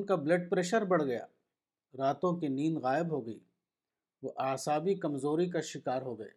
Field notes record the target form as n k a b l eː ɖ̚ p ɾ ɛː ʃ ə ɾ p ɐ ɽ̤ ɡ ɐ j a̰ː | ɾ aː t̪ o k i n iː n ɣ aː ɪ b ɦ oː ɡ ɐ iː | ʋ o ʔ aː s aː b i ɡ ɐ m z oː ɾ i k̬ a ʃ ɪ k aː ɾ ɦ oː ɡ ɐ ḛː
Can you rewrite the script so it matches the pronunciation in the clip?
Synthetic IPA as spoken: n k a b l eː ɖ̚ p ɾ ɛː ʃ ə ɾ b ɐ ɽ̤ ɡ ɐ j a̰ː | ɾ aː t̪ õ k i n iː n ɣ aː ɪ b ɦ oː ɡ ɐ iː | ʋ o ʔ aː s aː b i k ɐ m z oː ɾ i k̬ a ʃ ɪ k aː ɾ ɦ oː ɡ ɐ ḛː